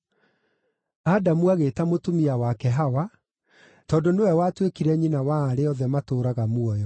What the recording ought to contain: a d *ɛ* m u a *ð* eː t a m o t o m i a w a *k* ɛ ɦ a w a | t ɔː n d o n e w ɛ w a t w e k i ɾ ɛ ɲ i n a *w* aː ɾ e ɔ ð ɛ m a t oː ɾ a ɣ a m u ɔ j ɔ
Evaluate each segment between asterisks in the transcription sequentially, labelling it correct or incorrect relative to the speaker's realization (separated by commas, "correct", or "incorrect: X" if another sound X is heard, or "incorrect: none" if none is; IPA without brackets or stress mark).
incorrect: a, incorrect: ɣ, correct, correct